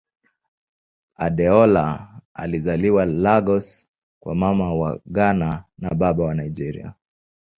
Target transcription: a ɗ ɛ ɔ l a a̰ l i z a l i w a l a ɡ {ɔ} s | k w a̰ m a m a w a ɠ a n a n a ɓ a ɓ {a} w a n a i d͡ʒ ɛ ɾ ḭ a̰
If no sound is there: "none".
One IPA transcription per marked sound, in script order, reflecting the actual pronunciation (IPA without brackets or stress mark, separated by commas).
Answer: ɔ, a